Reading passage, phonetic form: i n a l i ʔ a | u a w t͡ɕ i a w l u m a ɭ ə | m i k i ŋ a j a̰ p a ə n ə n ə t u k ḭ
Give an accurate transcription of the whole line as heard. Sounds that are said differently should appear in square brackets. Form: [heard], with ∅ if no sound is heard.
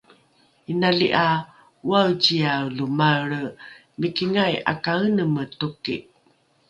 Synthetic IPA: i n a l i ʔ a | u a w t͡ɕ i a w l u m a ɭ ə | m i k i ŋ a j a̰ [k] a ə n ə [m] ə t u k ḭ